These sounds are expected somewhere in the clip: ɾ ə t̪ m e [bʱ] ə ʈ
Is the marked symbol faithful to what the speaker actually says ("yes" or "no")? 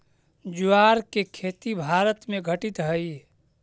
no